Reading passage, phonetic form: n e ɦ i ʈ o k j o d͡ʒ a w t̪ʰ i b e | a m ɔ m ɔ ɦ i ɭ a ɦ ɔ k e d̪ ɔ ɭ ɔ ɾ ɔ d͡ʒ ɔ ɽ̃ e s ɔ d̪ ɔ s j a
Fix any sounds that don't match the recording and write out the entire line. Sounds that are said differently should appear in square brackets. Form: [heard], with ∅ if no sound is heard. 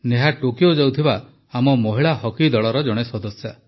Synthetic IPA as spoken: n e ɦ [a] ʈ o k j o d͡ʒ a w t̪ʰ i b [a] | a m ɔ m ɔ ɦ i ɭ a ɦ ɔ k [i] d̪ ɔ ɭ ɔ ɾ ɔ d͡ʒ ɔ ɽ̃ e s ɔ d̪ ɔ s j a